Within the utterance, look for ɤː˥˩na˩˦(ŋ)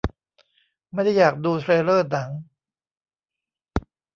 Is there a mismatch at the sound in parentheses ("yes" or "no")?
no